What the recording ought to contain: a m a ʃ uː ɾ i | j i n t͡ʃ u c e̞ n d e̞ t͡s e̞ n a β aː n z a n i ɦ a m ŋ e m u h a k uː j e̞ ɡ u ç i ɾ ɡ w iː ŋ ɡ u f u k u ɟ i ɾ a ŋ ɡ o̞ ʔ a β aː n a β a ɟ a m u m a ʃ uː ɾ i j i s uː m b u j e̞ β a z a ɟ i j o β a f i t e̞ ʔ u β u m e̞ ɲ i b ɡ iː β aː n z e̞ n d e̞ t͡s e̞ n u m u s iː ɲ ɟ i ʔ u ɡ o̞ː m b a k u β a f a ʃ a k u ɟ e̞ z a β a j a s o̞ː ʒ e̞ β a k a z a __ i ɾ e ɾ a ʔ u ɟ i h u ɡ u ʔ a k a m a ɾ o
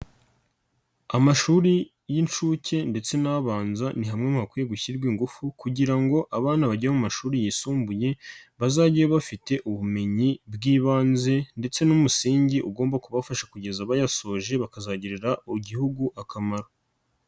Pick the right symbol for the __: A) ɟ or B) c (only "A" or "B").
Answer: A